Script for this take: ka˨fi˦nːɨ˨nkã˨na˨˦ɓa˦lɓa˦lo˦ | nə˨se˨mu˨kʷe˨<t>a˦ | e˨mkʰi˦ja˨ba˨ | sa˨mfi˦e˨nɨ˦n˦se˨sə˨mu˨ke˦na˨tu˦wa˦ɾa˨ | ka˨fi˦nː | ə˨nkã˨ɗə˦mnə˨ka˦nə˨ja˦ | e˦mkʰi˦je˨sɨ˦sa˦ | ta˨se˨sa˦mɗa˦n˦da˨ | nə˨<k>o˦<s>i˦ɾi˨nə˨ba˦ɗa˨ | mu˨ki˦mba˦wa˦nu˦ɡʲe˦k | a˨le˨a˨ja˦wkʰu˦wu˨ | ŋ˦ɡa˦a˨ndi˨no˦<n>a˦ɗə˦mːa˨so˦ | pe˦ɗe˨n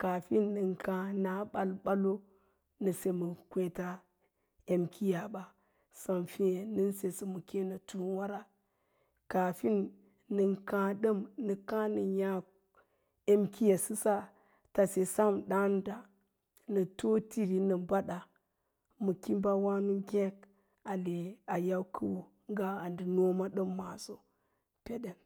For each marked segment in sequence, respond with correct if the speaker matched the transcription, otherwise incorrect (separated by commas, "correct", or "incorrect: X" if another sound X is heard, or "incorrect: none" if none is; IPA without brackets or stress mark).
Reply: correct, incorrect: t, incorrect: t, incorrect: m